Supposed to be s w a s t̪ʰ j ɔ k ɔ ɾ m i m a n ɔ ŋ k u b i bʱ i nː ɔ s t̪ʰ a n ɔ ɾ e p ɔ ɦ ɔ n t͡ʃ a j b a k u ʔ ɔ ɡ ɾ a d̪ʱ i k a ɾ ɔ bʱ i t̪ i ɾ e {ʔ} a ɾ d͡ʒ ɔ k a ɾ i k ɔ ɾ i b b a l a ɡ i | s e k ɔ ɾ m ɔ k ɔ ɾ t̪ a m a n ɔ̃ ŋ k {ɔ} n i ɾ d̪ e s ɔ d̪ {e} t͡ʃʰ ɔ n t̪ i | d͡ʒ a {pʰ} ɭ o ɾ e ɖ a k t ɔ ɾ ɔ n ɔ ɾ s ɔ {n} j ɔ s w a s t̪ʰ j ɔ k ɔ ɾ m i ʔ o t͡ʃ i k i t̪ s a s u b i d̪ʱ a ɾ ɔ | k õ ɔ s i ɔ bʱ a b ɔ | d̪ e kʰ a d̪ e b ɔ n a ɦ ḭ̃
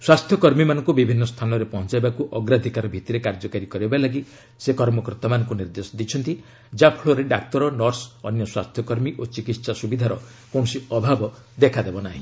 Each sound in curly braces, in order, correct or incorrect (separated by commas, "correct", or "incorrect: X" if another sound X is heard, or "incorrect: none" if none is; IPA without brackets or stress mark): incorrect: k, incorrect: u, incorrect: i, correct, correct